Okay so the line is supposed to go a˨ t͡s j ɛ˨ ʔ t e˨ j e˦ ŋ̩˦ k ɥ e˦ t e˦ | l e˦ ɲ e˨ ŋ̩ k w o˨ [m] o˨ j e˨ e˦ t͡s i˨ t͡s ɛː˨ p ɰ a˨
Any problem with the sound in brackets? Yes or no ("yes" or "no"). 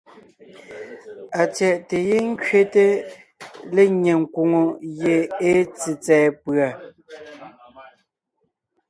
yes